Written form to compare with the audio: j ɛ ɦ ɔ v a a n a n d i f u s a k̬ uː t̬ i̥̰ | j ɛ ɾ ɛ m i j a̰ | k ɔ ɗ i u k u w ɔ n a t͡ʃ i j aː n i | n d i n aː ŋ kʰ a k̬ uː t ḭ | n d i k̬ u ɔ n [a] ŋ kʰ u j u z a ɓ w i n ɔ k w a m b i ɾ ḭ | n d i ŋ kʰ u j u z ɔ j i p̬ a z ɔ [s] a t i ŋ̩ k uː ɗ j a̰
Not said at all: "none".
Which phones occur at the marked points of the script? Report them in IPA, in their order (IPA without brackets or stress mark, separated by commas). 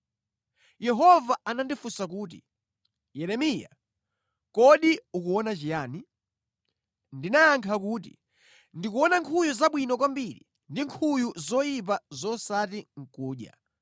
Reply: a, s